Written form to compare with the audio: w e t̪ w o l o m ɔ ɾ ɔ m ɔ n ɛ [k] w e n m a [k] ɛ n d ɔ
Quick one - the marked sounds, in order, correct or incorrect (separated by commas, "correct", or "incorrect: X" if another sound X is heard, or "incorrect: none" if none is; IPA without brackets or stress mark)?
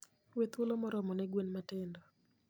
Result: incorrect: ɡ, incorrect: t